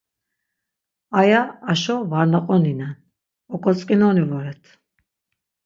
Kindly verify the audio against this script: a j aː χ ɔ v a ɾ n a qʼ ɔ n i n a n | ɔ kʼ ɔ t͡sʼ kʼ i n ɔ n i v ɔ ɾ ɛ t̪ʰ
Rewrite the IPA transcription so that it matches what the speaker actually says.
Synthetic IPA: a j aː ʃ ɔ v a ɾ n a qʼ ɔ n i n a n | ɔ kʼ ɔ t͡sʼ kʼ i n ɔ n i v ɔ ɾ ɛ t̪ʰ

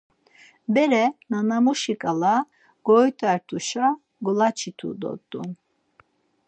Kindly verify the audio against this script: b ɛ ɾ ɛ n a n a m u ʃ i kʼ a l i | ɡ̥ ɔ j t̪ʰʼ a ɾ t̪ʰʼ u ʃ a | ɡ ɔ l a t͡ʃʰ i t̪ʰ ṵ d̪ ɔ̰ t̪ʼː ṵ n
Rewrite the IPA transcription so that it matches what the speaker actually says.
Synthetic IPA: b ɛ ɾ ɛ n a n a m u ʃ i kʼ a l a | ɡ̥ ɔ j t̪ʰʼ a ɾ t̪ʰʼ u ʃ a | ɡ ɔ l a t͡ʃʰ i t̪ʰ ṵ d̪ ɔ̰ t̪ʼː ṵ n

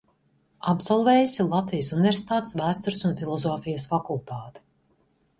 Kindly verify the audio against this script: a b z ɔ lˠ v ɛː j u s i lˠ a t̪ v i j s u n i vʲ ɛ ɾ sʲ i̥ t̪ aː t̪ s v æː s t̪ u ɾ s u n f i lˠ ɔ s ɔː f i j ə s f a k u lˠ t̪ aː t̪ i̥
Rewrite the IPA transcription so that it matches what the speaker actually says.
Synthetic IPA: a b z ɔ lˠ v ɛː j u s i lˠ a t̪ v i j s u n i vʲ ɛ ɾ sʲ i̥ t̪ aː t̪ s v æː s t̪ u ɾ s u n f i lˠ ɔ z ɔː f i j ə s f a k u lˠ t̪ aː t̪ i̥

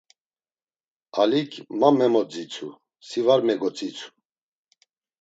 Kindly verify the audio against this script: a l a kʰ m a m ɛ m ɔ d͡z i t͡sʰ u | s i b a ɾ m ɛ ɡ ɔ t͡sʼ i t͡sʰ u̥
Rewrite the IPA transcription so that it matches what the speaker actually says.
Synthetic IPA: a l i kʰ m a m ɛ m ɔ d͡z i t͡sʰ u | s i v a ɾ m ɛ ɡ ɔ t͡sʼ i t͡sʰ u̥

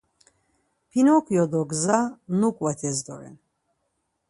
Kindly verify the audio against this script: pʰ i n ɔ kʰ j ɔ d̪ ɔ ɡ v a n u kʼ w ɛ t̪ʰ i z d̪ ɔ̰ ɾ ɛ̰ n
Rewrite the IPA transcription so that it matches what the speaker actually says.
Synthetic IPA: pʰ i n ɔ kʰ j ɔ d̪ ɔ ɡ z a n u kʼ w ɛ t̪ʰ ɛ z d̪ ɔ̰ ɾ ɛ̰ n

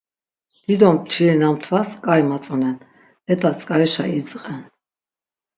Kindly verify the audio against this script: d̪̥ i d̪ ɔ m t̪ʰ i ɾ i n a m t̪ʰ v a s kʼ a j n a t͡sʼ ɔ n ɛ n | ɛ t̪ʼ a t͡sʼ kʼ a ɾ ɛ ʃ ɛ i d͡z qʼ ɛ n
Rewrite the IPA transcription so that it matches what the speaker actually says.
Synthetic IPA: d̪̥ i d̪ ɔ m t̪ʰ i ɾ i n a m t̪ʰ v a s kʼ a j m a t͡sʼ ɔ n ɛ n | ɛ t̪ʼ a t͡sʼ kʼ a ɾ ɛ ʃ a i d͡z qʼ ɛ n

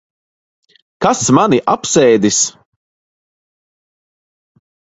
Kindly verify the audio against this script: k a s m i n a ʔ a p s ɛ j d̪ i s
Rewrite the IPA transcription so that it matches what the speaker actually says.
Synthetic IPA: k a s m a n i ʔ a p s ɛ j d̪ i s

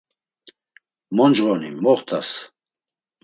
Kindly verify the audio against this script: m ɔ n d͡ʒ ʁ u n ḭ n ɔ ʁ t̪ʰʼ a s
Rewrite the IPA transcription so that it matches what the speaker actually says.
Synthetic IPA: m ɔ n d͡ʒ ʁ ɔ n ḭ m ɔ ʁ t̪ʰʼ a s

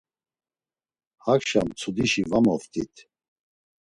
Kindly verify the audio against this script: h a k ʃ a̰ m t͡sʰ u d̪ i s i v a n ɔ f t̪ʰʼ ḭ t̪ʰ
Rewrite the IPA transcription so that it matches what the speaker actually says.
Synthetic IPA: h a k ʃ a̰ m t͡sʰ u d̪ i ʃ i v a m ɔ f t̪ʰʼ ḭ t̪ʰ

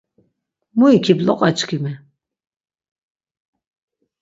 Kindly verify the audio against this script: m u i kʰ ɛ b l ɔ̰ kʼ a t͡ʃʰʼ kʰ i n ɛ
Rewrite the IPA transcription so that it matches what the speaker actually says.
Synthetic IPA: m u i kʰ i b l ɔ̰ qʼ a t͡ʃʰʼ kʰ i m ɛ

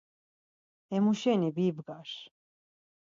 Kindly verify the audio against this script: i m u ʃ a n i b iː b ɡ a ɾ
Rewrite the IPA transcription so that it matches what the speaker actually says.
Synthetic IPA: ɛ m u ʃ ɛ n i b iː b ɡ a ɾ

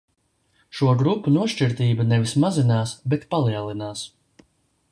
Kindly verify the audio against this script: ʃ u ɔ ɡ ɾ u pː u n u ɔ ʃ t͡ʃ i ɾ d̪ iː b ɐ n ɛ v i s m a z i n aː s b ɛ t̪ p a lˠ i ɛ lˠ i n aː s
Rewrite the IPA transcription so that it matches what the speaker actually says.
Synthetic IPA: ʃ u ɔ ɡ ɾ u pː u n u ɔ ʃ t͡ʃ i ɾ t̪ iː b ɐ n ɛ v i s m a z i n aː s b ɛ t̪ p a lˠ i ɛ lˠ i n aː s

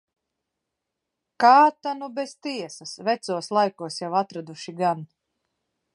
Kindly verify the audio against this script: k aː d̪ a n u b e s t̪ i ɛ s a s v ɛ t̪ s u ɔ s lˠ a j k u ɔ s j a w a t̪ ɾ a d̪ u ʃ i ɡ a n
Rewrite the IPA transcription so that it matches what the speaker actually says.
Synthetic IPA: k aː t̪ a n u b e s t̪ i ɛ s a s v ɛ t̪ s u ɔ s lˠ a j k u ɔ s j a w a t̪ ɾ a d̪ u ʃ i ɡ a n

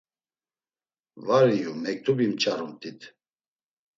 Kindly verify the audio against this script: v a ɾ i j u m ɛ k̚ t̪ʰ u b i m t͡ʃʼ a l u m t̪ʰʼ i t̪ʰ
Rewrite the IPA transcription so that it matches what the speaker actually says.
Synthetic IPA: v a ɾ i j u m ɛ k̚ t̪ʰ u b i m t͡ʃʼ a ɾ u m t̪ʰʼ i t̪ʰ

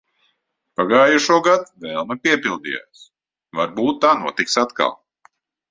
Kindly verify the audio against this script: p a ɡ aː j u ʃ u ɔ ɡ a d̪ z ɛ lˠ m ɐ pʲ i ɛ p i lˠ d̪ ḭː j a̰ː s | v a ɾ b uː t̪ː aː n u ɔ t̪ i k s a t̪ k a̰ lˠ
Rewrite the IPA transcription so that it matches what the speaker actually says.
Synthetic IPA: p a ɡ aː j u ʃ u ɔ ɡ a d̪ v ɛ lˠ m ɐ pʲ i ɛ p i lˠ d̪ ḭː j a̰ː s | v a ɾ b uː t̪ː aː n u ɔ t̪ i k s a t̪ k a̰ lˠ

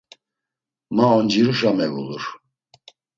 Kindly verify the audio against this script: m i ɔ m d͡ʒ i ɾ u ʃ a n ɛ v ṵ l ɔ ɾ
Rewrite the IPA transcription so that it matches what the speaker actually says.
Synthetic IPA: m a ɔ n d͡ʒ i ɾ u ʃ a m ɛ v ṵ l u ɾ

